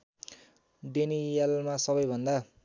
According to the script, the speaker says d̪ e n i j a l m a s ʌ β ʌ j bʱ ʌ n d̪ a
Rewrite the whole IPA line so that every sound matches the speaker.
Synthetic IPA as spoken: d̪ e n i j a l m a s ʌ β ʌ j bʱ ʌ n d̪ a